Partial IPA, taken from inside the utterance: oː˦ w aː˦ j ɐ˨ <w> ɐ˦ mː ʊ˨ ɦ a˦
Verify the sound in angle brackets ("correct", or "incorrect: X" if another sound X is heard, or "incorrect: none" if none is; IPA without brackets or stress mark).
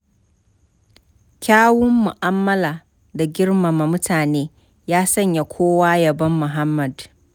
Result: incorrect: b